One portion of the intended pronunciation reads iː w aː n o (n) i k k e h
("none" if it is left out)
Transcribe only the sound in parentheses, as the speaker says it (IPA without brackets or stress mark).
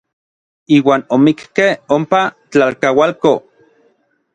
m